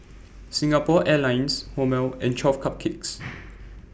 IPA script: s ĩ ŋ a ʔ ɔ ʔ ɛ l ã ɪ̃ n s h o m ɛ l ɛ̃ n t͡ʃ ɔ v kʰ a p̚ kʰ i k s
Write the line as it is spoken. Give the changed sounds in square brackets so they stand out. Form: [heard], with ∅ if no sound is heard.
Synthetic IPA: s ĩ ŋ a [p] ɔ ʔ ɛ l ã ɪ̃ n s h o m ɛ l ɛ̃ n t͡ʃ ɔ [f] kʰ a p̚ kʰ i k s